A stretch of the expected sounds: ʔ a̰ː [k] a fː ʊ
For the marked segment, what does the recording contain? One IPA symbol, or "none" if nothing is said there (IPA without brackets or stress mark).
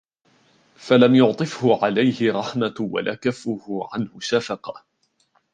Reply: k